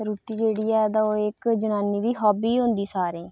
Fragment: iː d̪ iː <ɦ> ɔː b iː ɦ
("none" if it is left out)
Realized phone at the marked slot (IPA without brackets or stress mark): ɦ